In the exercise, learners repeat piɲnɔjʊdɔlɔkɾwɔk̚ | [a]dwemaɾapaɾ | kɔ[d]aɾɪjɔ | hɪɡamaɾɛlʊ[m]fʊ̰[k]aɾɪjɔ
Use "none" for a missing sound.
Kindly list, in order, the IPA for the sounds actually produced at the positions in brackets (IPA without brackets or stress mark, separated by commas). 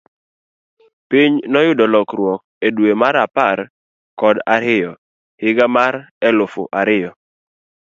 e, d, none, ʔ